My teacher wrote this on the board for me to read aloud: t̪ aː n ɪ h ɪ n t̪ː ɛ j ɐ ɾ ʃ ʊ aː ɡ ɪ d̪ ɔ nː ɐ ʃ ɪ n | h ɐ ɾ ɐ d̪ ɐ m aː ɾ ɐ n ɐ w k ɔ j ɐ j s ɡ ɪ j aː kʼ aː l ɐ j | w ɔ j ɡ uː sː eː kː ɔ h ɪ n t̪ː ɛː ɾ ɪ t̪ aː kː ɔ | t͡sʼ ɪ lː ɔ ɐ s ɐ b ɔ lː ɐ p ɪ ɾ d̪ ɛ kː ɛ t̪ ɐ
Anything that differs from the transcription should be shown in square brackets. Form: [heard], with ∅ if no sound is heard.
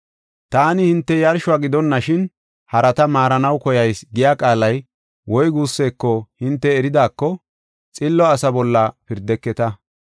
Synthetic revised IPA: t̪ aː n ɪ h ɪ n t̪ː ɛ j ɐ ɾ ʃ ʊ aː ɡ ɪ d̪ ɔ nː ɐ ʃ ɪ n | h ɐ ɾ ɐ [t̪] ɐ m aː ɾ ɐ n ɐ w k ɔ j ɐ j s ɡ ɪ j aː kʼ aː l ɐ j | w ɔ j ɡ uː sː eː kː ɔ h ɪ n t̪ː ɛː ɾ ɪ [d̪] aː kː ɔ | t͡sʼ ɪ lː ɔ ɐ s ɐ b ɔ lː ɐ p ɪ ɾ d̪ ɛ kː ɛ t̪ ɐ